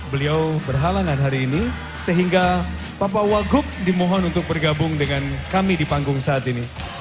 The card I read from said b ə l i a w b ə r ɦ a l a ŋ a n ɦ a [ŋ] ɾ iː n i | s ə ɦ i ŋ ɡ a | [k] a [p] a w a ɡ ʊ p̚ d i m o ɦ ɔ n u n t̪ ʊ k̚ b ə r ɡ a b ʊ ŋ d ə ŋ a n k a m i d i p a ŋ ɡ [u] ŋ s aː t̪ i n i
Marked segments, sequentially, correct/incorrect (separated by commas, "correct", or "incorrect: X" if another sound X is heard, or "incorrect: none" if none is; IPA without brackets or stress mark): incorrect: none, incorrect: p, correct, incorrect: ʊ